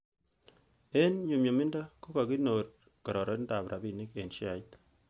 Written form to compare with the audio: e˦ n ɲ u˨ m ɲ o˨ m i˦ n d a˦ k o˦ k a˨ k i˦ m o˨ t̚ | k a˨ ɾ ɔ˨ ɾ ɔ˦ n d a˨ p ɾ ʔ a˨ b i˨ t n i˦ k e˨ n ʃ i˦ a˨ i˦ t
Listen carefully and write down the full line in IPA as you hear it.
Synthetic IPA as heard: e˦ n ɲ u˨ m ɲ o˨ m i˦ n d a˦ k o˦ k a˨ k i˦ n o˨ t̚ | k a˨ ɾ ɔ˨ ɾ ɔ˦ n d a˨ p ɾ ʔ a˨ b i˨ n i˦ k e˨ n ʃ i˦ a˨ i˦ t

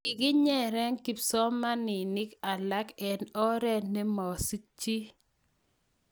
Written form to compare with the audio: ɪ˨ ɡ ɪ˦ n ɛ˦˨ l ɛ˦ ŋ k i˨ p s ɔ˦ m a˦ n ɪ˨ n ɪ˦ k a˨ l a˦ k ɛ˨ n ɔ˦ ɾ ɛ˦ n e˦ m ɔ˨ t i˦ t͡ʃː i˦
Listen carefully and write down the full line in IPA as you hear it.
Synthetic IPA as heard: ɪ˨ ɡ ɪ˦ ɲ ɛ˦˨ ɾ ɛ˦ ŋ k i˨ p s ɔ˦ m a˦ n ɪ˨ n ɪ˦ k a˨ l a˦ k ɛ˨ n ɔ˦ ɾ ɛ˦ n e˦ m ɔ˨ s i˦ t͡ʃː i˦

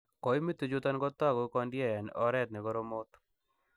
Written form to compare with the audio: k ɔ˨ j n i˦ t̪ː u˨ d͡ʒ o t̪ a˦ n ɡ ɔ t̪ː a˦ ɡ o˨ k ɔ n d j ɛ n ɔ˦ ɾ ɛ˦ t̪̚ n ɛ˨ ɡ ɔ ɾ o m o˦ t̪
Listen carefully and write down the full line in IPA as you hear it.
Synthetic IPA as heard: k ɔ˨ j m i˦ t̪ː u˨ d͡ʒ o t̪ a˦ n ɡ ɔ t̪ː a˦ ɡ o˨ k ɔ n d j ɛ n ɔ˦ ɾ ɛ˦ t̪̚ n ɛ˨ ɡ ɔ ɾ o m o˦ t̪

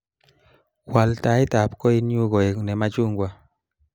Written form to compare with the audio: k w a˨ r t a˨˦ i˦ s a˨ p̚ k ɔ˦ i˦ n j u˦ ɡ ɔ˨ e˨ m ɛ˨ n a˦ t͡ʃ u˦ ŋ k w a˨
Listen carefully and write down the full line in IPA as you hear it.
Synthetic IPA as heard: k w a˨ l t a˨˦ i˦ t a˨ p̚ k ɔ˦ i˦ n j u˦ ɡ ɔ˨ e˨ n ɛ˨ m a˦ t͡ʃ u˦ ŋ ɡ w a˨

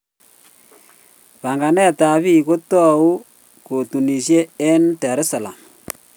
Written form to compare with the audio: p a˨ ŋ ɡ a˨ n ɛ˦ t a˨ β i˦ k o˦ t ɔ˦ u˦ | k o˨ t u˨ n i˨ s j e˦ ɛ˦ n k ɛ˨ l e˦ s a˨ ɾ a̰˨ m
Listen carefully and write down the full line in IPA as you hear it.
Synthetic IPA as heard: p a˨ ŋ ɡ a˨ n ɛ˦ t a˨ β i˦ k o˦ t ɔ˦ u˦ | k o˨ t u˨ n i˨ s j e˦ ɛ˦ n t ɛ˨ ɾ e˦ s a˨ l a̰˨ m

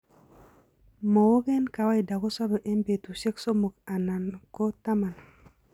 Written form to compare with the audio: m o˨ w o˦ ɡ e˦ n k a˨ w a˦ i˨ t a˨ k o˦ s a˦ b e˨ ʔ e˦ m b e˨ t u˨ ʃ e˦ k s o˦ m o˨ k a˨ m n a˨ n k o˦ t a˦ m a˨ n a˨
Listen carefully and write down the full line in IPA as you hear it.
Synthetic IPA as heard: m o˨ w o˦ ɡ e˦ n k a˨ w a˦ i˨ d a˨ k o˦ s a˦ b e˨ ʔ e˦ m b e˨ t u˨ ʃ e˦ k s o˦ m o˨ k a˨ n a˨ n k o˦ t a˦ m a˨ n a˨

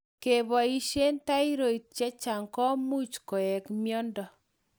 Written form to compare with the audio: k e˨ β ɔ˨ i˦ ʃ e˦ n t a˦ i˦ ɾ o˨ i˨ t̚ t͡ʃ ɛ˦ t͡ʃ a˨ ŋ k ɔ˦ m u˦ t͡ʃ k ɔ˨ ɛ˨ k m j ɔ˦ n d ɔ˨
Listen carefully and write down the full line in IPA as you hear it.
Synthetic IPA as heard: k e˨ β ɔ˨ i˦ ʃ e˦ n t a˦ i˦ ɾ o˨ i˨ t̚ t͡ʃ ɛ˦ t͡ʃ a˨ ŋ k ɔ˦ m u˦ t͡ʃ k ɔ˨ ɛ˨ k m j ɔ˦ n d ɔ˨

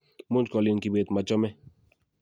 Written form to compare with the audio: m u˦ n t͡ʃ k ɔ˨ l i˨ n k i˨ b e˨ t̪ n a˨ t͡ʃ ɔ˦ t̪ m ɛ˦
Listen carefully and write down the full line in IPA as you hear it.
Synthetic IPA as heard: m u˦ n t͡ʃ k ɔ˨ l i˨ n k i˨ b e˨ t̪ m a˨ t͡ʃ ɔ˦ m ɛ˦

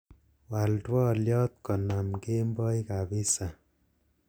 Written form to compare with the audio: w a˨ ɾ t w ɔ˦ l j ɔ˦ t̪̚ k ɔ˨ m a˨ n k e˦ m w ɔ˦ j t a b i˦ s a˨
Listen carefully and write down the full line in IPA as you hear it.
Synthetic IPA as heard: w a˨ l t w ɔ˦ l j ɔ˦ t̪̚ k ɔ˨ n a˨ m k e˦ m b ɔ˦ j k a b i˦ s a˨

